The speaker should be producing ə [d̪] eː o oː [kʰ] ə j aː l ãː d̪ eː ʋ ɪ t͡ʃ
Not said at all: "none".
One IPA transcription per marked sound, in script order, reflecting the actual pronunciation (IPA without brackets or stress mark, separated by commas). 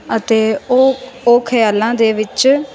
t̪, kʰ